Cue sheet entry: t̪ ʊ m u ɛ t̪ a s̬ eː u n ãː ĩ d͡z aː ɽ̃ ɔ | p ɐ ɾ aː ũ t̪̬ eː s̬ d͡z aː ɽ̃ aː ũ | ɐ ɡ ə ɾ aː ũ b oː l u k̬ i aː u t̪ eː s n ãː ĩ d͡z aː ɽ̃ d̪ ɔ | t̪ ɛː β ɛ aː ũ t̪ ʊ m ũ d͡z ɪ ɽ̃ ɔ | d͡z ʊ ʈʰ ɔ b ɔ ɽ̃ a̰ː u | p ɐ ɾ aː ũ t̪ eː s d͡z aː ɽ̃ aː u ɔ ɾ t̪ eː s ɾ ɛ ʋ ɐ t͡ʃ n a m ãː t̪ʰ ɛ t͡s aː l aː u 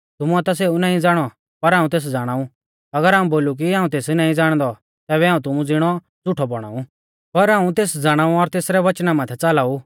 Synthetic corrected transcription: t̪ ʊ m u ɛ t̪ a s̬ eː u n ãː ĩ d͡z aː ɽ̃ ɔ | p ɐ ɾ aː ũ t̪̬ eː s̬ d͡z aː ɽ̃ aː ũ | ɐ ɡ ə ɾ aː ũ b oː l u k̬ i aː ũ t̪ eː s n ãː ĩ d͡z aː ɽ̃ d̪ ɔ | t̪ ɛː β ɛ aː ũ t̪ ʊ m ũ d͡z ɪ ɽ̃ ɔ | d͡z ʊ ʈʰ ɔ b ɔ ɽ̃ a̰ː u | p ɐ ɾ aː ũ t̪ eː s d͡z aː ɽ̃ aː u ɔ ɾ t̪ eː s ɾ ɛ ʋ ɐ t͡ʃ n a m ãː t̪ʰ ɛ t͡s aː l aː u